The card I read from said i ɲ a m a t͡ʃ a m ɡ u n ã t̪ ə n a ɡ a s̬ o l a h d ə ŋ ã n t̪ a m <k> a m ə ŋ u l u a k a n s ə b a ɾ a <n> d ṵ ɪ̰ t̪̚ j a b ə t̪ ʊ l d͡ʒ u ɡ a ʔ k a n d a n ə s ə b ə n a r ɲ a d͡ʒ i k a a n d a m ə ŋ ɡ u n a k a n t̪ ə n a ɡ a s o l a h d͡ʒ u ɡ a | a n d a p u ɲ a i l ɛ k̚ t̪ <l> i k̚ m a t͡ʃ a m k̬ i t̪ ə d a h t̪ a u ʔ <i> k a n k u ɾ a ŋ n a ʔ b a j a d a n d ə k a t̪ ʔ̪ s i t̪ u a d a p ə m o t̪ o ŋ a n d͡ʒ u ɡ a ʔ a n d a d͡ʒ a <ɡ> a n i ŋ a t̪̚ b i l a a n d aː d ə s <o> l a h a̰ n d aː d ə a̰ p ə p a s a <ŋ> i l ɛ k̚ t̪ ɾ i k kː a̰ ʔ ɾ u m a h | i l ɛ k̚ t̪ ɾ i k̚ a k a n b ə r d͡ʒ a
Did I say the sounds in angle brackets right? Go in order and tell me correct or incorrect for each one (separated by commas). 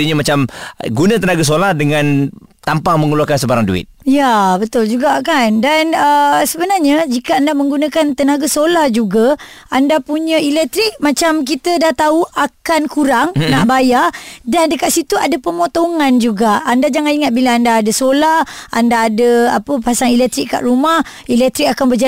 incorrect, incorrect, incorrect, incorrect, incorrect, correct, correct